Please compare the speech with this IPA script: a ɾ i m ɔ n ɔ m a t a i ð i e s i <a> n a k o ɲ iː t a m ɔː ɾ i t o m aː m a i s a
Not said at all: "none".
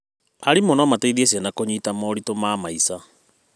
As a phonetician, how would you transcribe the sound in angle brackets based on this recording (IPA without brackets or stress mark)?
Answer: a